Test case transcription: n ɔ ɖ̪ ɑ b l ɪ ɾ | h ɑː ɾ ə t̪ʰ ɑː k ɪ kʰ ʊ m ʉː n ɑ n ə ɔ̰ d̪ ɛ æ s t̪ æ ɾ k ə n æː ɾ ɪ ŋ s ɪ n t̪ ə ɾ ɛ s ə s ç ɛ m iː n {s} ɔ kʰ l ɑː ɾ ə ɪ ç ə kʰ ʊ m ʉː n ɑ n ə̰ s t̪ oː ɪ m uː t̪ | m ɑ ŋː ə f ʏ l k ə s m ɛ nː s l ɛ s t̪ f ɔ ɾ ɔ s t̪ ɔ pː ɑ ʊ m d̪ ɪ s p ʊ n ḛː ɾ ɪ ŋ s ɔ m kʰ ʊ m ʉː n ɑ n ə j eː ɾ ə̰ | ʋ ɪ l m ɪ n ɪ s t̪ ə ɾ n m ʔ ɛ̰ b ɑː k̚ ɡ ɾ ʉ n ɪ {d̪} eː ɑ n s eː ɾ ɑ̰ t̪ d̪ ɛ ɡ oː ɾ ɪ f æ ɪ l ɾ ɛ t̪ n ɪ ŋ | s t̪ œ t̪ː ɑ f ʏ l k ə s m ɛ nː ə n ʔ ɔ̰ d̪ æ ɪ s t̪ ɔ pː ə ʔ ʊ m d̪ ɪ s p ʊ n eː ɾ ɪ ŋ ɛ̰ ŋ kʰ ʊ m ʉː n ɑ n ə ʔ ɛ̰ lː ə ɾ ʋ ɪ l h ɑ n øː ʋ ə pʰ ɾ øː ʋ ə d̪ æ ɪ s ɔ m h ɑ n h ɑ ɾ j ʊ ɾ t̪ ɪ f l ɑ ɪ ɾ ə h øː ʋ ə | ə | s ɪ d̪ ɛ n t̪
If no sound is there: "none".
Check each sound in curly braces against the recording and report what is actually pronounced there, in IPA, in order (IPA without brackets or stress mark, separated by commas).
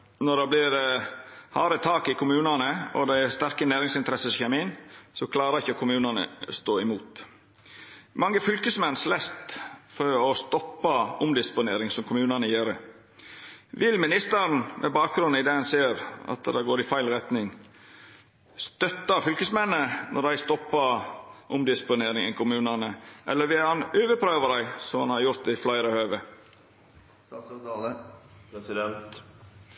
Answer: s, d̪